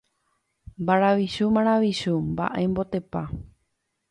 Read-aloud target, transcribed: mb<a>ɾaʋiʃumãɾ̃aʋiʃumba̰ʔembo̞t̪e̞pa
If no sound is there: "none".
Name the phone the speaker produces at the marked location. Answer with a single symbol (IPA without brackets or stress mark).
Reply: a